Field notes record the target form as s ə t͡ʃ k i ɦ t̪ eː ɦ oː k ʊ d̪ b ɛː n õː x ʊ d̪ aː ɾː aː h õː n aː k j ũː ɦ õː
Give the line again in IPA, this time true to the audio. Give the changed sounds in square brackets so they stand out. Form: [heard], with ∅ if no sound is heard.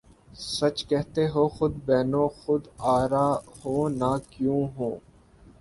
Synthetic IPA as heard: s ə t͡ʃ k [ɛ] ɦ t̪ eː ɦ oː [x] ʊ d̪ b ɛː n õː x ʊ d̪ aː [ɾ] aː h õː n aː k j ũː ɦ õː